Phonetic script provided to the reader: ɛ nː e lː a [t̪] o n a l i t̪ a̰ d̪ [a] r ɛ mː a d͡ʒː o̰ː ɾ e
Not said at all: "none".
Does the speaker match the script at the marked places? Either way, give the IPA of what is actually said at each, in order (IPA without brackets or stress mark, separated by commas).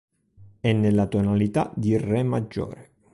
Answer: t̪, i